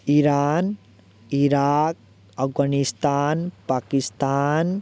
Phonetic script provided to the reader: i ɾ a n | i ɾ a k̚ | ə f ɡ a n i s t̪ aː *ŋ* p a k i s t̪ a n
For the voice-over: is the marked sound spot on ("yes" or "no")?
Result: no